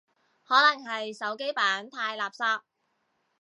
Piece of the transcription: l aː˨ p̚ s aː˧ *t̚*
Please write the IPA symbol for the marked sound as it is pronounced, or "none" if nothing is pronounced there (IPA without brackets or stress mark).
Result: p̚